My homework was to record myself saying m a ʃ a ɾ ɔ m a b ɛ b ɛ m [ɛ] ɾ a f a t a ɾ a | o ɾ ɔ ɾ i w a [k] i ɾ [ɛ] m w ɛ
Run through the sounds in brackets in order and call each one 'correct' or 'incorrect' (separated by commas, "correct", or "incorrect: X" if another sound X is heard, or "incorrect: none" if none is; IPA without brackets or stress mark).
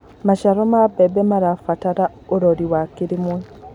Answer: incorrect: a, correct, incorrect: i